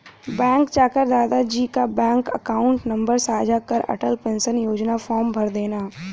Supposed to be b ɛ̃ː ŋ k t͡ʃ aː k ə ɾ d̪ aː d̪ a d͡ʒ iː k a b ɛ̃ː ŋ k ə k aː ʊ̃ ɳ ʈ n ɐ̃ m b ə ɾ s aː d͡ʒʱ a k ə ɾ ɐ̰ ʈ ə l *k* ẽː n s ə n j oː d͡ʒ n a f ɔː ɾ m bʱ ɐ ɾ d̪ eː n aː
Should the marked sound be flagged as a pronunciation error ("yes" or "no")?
yes